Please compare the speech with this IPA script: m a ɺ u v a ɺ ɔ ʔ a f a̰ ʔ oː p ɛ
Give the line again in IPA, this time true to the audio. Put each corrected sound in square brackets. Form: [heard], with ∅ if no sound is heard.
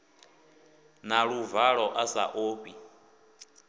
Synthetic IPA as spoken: [n] a ɺ u v a ɺ ɔ ʔ a [s] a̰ ʔ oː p [i]